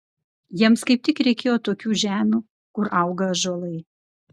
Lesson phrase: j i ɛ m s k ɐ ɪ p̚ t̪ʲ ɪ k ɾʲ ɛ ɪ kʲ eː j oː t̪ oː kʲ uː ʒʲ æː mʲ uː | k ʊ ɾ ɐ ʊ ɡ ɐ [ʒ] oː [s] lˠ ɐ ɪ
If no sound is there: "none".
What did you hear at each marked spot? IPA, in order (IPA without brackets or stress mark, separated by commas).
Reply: ʒ, none